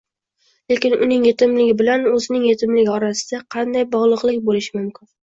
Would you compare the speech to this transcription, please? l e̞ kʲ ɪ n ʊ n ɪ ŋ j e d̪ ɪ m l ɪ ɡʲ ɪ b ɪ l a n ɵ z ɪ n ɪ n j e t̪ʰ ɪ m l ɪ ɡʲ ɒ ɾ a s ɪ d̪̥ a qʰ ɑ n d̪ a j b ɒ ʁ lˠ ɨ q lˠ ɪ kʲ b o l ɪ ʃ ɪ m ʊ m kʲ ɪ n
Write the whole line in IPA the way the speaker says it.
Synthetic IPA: l e̞ kʲ ɪ n ʊ n ɪ ŋ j e t̪ ɪ m l ɪ ɡʲ ɪ b ɪ l a n ɵ z ɪ n ɪ ŋ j e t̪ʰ ɪ m l ɪ ɡʲ ɒ ɾ a s ɪ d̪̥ a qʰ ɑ n d̪ a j b ɒ ʁ lˠ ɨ q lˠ ɪ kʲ b o l ɪ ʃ ɪ m ʊ m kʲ ɪ n